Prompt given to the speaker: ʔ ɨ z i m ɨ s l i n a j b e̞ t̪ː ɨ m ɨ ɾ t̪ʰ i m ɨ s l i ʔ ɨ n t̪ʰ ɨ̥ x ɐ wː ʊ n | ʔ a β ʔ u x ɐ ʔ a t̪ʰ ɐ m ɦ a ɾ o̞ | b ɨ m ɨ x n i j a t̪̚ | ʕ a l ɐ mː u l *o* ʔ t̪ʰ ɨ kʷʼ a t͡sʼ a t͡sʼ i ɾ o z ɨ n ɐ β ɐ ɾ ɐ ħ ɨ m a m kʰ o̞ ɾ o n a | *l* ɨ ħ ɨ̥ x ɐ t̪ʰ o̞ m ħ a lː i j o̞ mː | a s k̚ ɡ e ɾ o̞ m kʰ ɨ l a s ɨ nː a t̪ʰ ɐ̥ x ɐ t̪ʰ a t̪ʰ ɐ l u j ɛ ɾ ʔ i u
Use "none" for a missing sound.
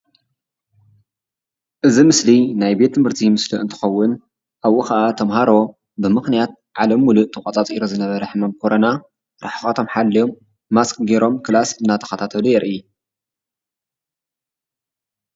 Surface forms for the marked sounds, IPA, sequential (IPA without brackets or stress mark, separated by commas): u, ɾ